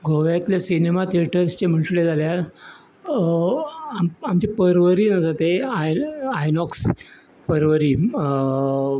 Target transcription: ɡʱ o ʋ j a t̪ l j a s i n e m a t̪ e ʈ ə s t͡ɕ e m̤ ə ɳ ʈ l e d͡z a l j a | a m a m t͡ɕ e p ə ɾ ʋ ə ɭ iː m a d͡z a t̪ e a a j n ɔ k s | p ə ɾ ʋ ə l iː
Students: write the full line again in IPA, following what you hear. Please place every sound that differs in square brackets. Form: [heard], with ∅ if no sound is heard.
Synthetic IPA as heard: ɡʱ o ʋ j a t̪ l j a s i n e m a t̪ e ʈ ə s t͡ɕ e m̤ ə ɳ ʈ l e d͡z a l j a | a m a m t͡ɕ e p ə ɾ ʋ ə [ɾ] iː [n] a d͡z a t̪ e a a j n ɔ k s | p ə ɾ ʋ ə [ɾ] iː